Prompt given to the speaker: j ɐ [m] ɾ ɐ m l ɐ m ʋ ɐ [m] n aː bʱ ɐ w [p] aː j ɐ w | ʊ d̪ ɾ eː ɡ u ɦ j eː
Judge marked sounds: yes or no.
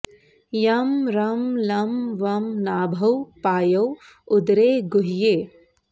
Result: yes, yes, yes

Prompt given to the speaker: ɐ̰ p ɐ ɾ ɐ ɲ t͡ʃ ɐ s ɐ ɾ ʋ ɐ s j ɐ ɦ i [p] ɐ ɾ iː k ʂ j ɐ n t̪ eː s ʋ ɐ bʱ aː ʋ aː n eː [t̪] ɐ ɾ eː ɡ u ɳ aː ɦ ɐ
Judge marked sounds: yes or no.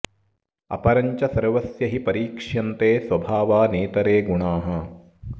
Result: yes, yes

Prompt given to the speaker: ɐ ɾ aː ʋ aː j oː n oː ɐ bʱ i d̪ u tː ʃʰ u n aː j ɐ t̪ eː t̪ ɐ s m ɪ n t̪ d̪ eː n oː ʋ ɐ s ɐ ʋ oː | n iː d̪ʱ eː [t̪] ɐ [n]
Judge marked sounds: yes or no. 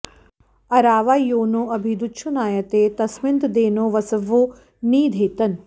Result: yes, yes

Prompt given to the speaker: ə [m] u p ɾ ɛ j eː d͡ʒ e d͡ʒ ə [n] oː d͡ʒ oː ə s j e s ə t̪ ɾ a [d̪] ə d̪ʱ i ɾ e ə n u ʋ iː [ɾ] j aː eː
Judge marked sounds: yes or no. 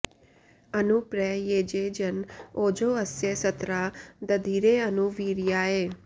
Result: no, yes, yes, yes

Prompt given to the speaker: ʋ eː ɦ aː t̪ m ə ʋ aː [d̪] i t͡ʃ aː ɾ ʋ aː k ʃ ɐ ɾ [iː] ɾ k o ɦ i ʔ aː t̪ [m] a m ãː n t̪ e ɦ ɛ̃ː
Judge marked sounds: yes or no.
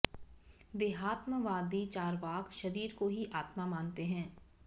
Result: yes, yes, yes

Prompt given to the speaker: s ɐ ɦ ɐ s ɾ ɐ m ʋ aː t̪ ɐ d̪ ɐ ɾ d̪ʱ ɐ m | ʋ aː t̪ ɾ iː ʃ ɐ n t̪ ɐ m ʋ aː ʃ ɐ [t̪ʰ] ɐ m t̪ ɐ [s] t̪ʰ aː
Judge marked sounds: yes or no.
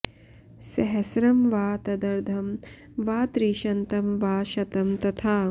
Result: no, no

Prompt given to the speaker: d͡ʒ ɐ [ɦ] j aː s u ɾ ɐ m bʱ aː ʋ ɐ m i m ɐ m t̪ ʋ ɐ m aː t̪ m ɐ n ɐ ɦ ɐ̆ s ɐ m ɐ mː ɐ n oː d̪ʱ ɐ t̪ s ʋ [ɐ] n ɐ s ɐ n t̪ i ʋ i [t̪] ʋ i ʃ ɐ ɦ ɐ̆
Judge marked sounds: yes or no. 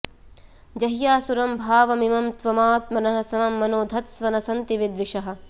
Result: yes, yes, no

